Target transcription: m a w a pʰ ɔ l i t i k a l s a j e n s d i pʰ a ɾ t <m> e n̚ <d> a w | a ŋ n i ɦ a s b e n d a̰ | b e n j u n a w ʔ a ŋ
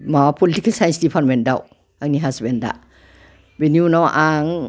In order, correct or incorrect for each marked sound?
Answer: correct, correct

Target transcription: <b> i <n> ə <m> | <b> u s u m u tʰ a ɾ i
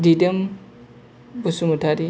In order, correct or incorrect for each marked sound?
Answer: incorrect: d, incorrect: d, correct, correct

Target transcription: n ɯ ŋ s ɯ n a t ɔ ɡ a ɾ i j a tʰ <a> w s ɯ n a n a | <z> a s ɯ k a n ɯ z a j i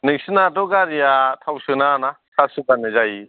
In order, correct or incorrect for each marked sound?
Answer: correct, incorrect: s

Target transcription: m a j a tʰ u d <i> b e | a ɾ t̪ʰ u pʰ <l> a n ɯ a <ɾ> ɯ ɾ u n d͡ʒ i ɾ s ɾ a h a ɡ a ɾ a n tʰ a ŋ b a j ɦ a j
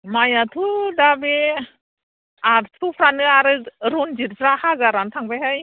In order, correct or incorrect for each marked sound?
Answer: incorrect: a, incorrect: ɾ, correct

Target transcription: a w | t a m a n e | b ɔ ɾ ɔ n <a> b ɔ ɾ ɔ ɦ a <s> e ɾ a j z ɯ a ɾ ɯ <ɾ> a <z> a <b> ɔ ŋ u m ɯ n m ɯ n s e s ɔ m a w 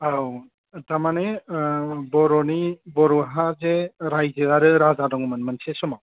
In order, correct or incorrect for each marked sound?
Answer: incorrect: i, incorrect: z, correct, correct, incorrect: d

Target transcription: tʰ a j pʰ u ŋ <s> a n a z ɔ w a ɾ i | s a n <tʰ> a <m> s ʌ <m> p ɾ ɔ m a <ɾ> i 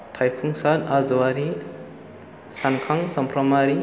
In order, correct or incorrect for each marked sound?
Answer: correct, incorrect: kʰ, incorrect: ŋ, correct, correct

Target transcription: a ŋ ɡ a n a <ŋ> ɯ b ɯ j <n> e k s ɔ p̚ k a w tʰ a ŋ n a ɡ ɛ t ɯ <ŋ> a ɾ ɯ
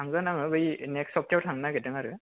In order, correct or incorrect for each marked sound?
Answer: correct, correct, correct

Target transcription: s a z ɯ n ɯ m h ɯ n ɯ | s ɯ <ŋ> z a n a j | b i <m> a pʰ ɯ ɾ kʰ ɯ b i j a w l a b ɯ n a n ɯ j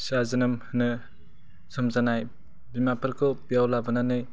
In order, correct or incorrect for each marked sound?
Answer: incorrect: m, correct

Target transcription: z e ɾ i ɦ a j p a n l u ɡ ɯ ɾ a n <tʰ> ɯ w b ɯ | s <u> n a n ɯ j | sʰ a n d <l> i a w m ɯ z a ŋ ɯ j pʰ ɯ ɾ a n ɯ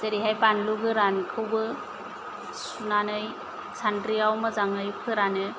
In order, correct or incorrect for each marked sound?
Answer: incorrect: kʰ, correct, incorrect: ɾ

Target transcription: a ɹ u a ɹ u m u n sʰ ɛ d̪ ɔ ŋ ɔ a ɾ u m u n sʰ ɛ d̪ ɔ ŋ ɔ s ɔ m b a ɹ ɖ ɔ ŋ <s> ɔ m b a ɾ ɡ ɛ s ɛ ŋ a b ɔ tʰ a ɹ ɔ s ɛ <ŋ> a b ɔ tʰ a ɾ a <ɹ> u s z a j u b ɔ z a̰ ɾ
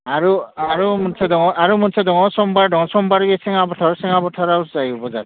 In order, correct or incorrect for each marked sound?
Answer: correct, correct, incorrect: none

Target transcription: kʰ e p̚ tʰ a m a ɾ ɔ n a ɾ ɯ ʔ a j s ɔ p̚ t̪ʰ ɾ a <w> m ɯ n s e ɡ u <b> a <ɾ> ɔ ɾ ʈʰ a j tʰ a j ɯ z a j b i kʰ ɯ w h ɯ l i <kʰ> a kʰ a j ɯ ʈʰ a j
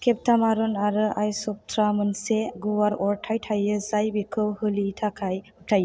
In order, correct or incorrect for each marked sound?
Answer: incorrect: none, incorrect: w, correct, incorrect: tʰ

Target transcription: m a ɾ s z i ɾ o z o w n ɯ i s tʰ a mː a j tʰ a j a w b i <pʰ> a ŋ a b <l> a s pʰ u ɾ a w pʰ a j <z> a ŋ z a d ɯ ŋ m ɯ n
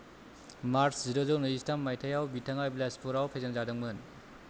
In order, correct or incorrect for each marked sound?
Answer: incorrect: tʰ, correct, correct

